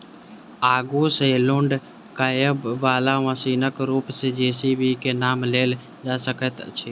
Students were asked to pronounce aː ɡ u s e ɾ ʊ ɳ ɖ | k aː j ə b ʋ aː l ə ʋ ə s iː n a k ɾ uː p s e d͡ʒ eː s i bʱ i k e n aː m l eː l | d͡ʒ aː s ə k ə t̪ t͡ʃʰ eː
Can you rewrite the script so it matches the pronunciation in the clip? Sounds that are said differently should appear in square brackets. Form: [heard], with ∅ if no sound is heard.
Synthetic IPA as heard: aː ɡ u s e [l] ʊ ɳ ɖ | k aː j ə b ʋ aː l [a] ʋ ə s iː n [ə] k ɾ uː p s e d͡ʒ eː s i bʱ i k e n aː m l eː l | d͡ʒ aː s ə k ə t̪ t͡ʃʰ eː